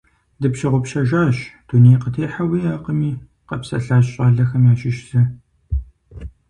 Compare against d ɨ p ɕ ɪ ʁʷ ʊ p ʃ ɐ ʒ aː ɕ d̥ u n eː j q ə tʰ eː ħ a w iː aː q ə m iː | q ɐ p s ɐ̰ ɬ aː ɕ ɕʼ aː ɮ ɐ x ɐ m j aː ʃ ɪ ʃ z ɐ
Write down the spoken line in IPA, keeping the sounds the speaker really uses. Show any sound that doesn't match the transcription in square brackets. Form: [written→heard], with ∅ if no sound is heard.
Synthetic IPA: d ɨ p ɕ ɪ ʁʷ ʊ p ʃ ɐ ʒ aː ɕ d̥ u n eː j q ə tʰ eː ħ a w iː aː q ə m iː | q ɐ p s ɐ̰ ɬ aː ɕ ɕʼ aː ɮ ɐ x ɐ m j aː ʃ ɪ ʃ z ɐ